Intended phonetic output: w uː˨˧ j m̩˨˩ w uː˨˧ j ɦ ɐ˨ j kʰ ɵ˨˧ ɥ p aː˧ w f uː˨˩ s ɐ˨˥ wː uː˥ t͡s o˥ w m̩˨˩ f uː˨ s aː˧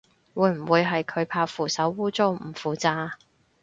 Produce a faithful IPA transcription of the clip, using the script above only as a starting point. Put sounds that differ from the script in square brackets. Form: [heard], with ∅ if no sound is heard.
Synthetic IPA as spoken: w uː˨˧ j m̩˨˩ w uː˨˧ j ɦ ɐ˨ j kʰ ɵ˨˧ ɥ [pʰ] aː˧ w f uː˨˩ s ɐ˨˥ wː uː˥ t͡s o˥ w m̩˨˩ f uː˨ [t͡s] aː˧